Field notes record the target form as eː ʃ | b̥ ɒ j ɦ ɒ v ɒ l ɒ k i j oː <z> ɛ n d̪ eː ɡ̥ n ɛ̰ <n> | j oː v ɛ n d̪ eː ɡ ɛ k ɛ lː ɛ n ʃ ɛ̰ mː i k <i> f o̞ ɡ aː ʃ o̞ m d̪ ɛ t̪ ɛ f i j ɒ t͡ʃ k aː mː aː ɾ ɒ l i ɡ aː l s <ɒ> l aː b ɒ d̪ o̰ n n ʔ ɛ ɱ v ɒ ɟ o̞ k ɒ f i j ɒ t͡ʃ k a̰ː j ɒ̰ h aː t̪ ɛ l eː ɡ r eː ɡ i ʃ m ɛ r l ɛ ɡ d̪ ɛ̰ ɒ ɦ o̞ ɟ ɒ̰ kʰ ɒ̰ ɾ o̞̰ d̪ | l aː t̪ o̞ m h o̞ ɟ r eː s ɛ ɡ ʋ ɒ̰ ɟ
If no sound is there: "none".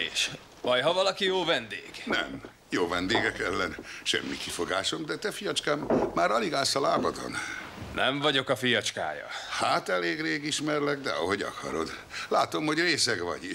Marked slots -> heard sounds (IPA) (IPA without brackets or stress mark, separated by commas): v, m, i, ɒ